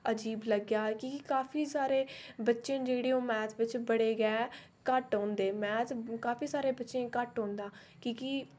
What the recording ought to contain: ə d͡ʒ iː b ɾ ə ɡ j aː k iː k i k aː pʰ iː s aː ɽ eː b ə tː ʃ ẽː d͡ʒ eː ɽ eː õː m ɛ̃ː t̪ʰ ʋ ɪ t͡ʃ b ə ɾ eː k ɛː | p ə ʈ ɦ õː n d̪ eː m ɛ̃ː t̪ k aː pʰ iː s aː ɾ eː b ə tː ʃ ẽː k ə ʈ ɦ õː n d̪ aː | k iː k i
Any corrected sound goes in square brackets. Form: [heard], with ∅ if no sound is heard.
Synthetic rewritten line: ə d͡ʒ iː b [l] ə ɡ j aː k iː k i k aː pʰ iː s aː [ɾ] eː b ə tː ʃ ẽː d͡ʒ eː ɽ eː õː m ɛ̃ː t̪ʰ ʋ ɪ t͡ʃ b ə [ɽ] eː [ɡ] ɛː | [k] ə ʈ ɦ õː n d̪ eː m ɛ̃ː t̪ k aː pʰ iː s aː ɾ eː b ə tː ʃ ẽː k ə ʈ ɦ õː n d̪ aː | k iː k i